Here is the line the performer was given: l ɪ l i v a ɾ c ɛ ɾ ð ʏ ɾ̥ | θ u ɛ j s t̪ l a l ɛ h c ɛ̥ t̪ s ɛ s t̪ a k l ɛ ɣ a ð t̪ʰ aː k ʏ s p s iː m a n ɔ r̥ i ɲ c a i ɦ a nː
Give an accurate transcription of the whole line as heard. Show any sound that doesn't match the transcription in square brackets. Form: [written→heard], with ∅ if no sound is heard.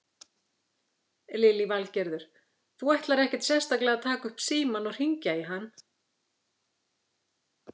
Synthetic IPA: l ɪ l i v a [ɾ→l] c ɛ ɾ ð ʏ ɾ̥ | θ u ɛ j [s→h] t̪ l a [l→ɾ] ɛ h c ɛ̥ t̪ s ɛ s t̪ a k l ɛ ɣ a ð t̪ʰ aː k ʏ [s→h] p s iː m a n ɔ r̥ i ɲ c a i ɦ a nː

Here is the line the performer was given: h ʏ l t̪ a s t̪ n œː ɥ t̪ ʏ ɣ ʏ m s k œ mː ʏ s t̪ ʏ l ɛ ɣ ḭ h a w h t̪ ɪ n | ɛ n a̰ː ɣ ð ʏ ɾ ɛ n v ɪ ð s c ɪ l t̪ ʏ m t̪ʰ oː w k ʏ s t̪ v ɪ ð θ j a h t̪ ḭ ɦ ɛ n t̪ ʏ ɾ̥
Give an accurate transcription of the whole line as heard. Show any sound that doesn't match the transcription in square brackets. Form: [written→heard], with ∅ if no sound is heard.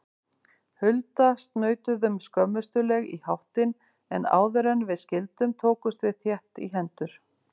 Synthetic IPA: h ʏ l t̪ a s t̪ n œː ɥ t̪ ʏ [ɣ→ð] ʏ m s k œ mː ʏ s t̪ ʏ l ɛ ɣ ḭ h a w h t̪ ɪ n | ɛ n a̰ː [ɣ→w] ð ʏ ɾ ɛ n v ɪ ð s c ɪ l t̪ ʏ m t̪ʰ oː w k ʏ s t̪ v ɪ ð θ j [a→ɛ] h t̪ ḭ ɦ ɛ n t̪ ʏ ɾ̥

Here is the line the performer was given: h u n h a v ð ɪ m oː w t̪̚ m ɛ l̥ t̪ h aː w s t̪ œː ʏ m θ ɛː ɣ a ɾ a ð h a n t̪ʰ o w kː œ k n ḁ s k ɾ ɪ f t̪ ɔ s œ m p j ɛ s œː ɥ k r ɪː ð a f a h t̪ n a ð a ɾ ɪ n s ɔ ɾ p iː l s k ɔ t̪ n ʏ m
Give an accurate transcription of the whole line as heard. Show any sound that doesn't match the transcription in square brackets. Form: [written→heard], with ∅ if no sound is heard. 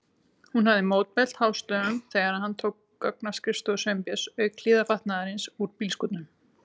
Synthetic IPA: h u n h a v ð ɪ m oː w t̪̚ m ɛ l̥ t̪ h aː w s t̪ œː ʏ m θ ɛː ɣ a ɾ a ð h a n t̪ʰ o w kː œ k n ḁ s k ɾ ɪ [f→s] t̪ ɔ s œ m p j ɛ s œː ɥ k [r→l] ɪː ð a f a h t̪ n a ð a ɾ ɪ n s [ɔ→u] ɾ p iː l s k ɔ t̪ n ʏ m

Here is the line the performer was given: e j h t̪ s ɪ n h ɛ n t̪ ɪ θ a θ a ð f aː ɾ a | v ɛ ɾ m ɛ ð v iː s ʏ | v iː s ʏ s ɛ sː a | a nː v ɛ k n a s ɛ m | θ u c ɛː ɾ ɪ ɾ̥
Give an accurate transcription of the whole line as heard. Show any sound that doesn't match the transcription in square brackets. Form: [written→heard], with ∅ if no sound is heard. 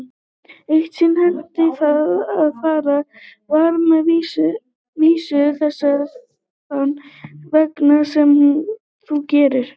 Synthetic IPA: e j h t̪ s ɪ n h ɛ n t̪ ɪ θ a [θ→ð] a ð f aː ɾ a | v [ɛ→a] ɾ m ɛ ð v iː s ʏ | v iː s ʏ [s→θ] ɛ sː a | a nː v ɛ k n a s ɛ m | θ u c ɛː ɾ ɪ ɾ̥

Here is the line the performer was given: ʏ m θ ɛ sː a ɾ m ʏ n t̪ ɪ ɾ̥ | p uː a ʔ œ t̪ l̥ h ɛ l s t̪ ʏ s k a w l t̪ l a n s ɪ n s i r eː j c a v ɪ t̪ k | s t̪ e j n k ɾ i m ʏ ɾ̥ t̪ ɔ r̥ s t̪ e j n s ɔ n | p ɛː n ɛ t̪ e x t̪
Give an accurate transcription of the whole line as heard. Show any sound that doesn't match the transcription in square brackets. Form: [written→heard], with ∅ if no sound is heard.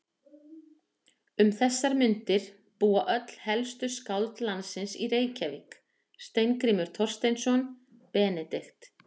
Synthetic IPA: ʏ m θ ɛ sː a ɾ m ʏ n t̪ ɪ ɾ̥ | p uː a ʔ œ t̪ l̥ h ɛ l s t̪ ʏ s k a w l t̪ l a n s ɪ n s i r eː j c a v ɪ [t̪→∅] k | s t̪ e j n k ɾ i m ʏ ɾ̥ [t̪→t̪ʰ] ɔ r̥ s t̪ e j n s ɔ n | p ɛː n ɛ t̪ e x t̪

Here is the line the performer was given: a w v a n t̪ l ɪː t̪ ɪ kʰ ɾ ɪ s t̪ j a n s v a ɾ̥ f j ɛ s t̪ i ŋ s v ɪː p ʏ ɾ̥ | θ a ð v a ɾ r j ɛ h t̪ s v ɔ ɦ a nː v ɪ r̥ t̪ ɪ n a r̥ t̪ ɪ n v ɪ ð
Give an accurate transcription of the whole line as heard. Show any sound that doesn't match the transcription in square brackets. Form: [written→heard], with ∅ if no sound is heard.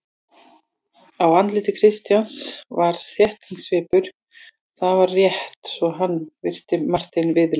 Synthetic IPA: a w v a n t̪ l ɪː t̪ ɪ kʰ ɾ ɪ s t̪ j a n s v a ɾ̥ [f→θ] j ɛ [s→h] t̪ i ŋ s v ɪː p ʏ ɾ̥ | θ a ð v a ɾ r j ɛ h t̪ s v ɔ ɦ a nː v ɪ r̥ t̪ ɪ [n→m] a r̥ t̪ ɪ n v ɪ ð

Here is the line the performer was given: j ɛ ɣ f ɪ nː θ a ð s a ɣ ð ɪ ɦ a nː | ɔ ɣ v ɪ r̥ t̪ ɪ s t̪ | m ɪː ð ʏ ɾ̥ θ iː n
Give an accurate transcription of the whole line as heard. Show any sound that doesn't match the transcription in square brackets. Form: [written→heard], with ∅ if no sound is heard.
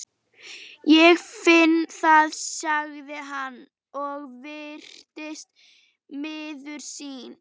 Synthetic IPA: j ɛ ɣ f ɪ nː θ a ð s a ɣ ð ɪ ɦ a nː | ɔ ɣ v ɪ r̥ t̪ ɪ s t̪ | m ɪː ð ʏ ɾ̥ [θ→s] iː n

